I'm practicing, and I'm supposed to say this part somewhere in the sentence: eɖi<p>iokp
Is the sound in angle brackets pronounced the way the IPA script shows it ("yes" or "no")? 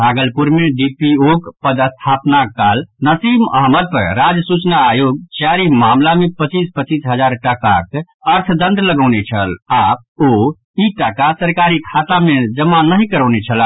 yes